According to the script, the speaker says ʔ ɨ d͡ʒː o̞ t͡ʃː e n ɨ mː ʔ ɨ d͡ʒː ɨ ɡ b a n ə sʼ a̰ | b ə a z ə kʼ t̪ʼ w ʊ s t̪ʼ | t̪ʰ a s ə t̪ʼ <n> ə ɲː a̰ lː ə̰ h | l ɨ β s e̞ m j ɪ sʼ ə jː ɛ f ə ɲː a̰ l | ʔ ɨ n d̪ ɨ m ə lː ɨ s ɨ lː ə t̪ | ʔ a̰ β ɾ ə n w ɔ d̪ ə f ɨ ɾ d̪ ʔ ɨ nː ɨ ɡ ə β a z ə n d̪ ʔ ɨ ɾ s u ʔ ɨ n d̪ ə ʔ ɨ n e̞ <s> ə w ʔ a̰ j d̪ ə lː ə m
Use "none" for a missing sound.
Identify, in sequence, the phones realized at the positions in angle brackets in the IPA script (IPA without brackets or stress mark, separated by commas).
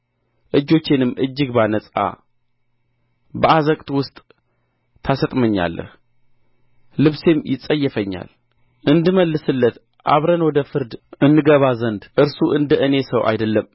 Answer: m, s